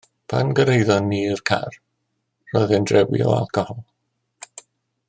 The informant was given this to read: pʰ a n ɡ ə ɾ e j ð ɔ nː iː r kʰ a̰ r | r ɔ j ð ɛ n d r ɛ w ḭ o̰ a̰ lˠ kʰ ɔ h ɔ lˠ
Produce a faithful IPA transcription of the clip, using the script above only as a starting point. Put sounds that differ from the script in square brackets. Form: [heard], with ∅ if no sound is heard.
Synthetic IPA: pʰ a n ɡ ə ɾ e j ð ɔ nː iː r kʰ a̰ r | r ɔ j ð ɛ n d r ɛ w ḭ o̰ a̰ lˠ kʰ ɔ h ɔ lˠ